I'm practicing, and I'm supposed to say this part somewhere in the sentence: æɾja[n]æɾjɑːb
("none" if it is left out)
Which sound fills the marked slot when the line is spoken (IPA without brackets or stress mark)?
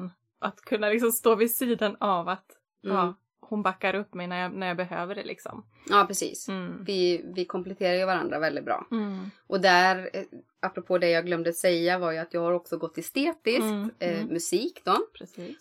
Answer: n